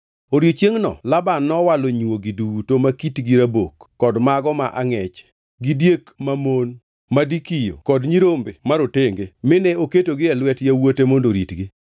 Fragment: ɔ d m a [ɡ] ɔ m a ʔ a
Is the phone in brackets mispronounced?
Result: no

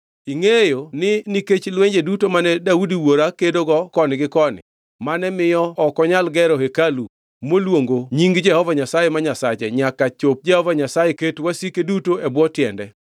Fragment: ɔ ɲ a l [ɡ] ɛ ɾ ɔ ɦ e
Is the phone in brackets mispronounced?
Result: no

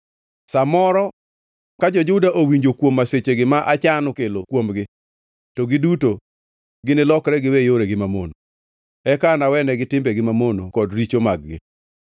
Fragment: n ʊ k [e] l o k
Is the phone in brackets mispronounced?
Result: no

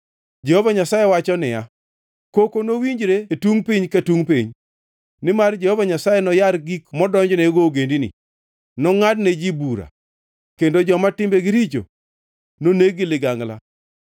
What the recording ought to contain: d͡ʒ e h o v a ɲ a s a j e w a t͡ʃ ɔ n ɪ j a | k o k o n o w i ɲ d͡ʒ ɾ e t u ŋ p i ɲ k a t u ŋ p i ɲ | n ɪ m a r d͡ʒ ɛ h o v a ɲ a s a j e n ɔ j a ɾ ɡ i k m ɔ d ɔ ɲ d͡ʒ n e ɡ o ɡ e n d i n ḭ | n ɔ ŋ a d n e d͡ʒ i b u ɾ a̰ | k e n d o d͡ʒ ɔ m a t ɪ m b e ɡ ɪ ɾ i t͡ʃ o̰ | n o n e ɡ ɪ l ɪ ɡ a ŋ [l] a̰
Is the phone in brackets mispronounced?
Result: no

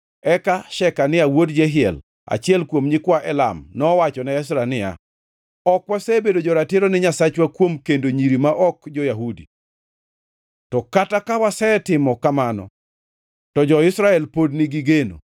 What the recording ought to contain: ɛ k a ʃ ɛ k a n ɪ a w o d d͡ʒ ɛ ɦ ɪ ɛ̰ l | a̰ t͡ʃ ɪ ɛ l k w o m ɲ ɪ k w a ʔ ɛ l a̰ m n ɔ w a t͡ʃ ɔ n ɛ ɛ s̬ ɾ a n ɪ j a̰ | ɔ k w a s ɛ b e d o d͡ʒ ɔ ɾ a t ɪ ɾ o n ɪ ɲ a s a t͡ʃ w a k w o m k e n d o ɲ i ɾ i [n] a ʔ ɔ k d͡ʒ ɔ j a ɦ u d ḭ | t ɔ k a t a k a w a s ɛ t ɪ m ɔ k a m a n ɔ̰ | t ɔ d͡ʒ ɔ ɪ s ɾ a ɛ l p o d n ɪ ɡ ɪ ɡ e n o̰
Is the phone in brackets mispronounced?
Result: yes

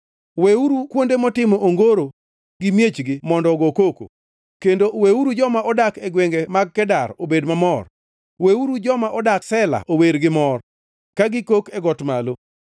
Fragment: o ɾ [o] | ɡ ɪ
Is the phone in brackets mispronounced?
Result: no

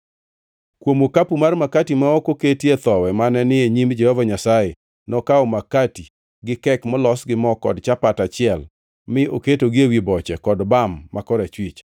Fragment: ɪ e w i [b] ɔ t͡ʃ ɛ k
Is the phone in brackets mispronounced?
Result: no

